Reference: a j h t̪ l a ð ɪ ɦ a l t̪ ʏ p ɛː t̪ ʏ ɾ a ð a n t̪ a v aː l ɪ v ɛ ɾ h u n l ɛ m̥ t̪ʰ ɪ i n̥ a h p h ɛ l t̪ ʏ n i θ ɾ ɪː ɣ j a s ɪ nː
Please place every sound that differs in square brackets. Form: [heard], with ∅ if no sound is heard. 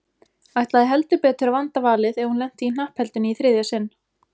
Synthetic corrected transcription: a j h t̪ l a ð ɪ ɦ [ɛ] l t̪ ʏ p ɛː t̪ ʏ ɾ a [v] a n t̪ a v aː l ɪ [ð] ɛ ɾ h u n l ɛ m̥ [t̪] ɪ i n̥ a h p h ɛ l t̪ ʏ n i θ ɾ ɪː [ð] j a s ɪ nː

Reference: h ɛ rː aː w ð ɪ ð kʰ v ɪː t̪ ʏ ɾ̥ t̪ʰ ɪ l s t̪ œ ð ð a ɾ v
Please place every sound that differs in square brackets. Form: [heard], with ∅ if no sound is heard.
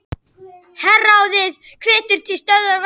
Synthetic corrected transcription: h ɛ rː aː w ð ɪ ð kʰ v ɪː t̪ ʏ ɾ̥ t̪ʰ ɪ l s t̪ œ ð ð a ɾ v

